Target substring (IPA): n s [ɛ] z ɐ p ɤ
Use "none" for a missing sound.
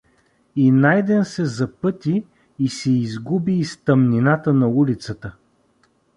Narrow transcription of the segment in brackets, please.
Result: ɛ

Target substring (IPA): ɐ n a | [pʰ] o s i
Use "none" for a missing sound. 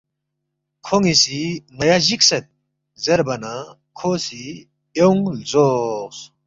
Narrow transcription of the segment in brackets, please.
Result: kʰ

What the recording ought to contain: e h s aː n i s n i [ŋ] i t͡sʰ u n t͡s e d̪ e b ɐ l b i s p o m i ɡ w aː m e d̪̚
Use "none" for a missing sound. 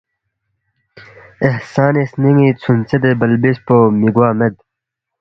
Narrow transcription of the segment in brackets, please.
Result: ŋ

